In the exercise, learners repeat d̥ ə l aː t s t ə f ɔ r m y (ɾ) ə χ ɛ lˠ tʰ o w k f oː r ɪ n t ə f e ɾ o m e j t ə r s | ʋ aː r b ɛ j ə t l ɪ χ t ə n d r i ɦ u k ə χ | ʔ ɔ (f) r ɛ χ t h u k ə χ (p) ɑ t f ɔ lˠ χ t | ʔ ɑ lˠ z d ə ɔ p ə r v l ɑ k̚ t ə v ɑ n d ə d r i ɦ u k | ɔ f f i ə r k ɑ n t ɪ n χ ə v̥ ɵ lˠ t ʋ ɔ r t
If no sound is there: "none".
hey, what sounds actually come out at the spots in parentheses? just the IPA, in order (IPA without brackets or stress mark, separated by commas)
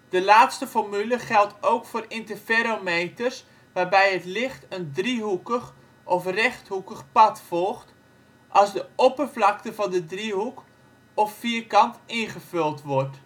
l, f, p